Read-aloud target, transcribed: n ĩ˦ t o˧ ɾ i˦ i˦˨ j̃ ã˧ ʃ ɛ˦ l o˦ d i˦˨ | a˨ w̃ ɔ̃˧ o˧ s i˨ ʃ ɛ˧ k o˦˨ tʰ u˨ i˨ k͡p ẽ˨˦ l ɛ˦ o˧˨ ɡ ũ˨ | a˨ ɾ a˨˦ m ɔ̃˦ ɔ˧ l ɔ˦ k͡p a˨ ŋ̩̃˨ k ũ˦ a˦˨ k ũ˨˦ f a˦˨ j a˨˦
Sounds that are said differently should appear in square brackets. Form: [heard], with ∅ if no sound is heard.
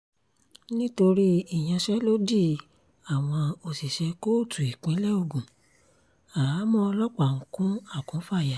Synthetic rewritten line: n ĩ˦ t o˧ ɾ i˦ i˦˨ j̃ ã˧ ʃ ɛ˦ l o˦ d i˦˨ | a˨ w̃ ɔ̃˧ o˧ s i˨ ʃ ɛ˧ k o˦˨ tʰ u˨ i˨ k͡p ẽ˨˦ l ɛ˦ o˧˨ ɡ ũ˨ | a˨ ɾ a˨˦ m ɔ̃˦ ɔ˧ l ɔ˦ k͡p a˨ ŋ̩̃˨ k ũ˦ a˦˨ k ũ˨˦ f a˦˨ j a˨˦